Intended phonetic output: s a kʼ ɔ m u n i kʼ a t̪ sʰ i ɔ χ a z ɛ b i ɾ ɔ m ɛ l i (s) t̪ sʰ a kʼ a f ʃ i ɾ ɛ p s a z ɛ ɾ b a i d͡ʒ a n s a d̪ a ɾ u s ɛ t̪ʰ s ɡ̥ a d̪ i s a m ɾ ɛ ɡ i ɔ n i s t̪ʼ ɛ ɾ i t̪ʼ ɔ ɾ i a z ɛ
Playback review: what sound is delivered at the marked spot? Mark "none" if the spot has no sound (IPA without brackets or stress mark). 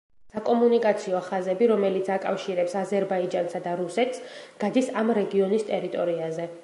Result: none